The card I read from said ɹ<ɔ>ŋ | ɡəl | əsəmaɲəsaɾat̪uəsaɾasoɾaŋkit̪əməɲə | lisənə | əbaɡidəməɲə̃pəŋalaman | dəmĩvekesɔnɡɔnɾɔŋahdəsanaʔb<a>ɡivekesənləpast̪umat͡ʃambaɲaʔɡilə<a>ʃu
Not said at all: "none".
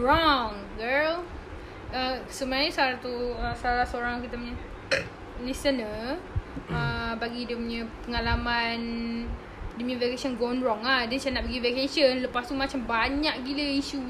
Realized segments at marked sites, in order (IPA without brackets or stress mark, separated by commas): ɔ, ə, i